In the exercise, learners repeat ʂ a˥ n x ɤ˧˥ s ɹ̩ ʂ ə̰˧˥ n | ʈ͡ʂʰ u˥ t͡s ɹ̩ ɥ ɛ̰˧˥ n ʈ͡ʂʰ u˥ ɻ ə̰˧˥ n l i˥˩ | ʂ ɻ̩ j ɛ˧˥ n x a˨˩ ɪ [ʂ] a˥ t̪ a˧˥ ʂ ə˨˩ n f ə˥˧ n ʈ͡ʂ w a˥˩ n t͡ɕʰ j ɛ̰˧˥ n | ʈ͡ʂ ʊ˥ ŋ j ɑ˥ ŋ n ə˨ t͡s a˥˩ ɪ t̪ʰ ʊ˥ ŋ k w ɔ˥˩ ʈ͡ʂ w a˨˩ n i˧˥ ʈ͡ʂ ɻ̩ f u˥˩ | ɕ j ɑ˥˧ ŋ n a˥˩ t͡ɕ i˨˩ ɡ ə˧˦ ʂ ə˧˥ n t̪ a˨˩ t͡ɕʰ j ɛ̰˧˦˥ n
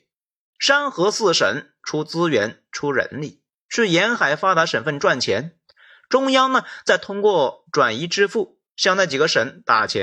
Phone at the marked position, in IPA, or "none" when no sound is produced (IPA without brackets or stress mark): f